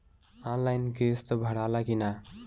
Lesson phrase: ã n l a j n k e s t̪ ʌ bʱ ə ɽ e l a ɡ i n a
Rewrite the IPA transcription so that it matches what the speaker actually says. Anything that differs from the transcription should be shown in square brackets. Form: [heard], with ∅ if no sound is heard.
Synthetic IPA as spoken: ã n l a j n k e s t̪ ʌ bʱ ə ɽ [a] l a [k] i n a